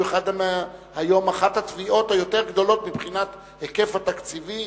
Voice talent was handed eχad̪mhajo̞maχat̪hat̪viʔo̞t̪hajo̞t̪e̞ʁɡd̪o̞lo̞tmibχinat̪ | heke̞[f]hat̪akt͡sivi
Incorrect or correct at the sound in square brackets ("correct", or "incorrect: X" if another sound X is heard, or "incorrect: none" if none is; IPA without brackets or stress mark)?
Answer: correct